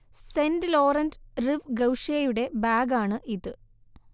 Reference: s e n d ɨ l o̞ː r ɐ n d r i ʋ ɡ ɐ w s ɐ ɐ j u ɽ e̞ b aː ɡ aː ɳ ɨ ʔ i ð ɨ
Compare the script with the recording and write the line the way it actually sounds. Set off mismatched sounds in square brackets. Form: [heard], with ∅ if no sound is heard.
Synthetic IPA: s e n d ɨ l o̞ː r ɐ n d r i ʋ ɡ ɐ w [ʂ] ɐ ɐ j u ɽ e̞ b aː ɡ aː ɳ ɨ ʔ i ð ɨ